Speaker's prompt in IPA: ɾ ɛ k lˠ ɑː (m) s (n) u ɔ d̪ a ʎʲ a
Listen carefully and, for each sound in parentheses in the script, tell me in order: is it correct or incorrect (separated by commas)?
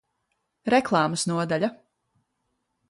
correct, correct